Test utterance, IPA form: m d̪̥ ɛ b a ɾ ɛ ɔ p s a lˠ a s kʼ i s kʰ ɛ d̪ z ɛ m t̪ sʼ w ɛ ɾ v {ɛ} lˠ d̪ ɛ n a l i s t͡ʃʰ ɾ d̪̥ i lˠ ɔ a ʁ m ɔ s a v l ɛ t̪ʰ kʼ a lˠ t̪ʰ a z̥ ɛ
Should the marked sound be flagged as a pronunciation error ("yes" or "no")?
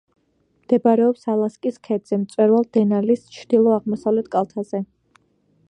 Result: yes